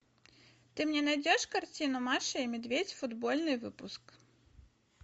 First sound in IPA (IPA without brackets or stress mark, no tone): t̪